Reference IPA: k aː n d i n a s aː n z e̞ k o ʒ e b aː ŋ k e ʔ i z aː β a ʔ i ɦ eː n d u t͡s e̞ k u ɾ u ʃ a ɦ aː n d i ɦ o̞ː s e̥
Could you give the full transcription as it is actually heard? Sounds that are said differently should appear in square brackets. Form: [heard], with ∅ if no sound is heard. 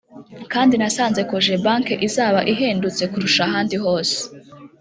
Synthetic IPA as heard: k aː n d i n a s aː n z e̞ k o ʒ e b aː ŋ k e ʔ i z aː β a ʔ i ɦ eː n d u t͡s e̞ k u ɾ u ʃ a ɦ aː n d i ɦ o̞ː s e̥